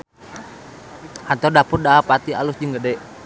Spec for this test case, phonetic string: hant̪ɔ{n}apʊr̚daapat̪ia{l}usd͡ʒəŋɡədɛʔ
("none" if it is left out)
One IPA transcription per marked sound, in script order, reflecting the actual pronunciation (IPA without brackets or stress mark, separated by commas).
d, l